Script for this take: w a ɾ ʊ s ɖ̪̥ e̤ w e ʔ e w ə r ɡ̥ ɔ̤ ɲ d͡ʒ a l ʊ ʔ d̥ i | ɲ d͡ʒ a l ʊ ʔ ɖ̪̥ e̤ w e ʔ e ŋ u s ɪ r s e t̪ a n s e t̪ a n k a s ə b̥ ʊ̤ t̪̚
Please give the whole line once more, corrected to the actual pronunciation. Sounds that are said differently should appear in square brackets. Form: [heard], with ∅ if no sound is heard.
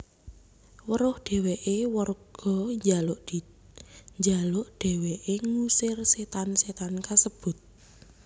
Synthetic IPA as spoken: w [ə] ɾ ʊ [h] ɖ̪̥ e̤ w e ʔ e w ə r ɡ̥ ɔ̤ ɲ d͡ʒ a l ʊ ʔ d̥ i | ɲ d͡ʒ a l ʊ ʔ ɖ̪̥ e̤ w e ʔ e ŋ u s ɪ r s e t̪ a n s e t̪ a n k a s ə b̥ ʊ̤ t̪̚